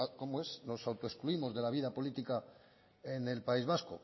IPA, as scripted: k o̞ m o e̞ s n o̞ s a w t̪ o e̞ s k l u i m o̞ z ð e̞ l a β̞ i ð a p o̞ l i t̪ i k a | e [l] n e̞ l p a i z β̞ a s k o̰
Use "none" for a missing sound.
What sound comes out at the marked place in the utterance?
none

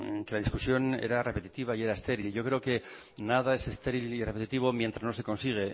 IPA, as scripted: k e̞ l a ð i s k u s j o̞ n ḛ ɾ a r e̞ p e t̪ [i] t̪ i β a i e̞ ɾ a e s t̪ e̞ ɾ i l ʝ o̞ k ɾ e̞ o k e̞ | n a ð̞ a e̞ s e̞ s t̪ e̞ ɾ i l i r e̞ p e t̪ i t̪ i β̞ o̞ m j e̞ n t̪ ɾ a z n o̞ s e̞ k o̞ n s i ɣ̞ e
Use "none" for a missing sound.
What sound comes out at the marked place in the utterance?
i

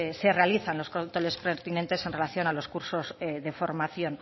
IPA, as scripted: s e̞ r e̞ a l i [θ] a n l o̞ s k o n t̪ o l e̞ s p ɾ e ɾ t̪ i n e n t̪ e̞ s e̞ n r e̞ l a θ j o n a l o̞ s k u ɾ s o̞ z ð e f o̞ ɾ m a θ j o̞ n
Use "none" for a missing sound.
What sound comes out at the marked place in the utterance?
θ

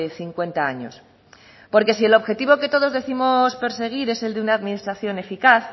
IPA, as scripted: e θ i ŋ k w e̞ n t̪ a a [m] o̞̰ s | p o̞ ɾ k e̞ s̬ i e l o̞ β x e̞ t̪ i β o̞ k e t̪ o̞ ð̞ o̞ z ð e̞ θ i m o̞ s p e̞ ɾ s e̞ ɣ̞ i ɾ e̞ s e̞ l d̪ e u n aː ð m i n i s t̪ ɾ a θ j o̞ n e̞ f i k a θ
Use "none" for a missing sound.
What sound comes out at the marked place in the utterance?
ɲ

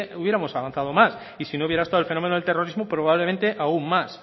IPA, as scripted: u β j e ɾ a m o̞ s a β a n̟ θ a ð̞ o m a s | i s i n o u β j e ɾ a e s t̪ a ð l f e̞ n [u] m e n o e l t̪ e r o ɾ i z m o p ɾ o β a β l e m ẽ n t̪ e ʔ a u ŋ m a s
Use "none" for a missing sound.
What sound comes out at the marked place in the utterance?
o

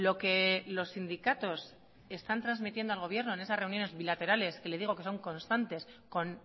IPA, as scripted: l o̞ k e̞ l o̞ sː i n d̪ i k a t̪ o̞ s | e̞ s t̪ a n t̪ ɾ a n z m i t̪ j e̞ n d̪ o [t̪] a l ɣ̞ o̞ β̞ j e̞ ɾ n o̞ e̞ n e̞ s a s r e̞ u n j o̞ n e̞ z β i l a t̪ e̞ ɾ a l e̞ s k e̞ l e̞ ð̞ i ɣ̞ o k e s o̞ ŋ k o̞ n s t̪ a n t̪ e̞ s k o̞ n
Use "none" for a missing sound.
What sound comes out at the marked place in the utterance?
none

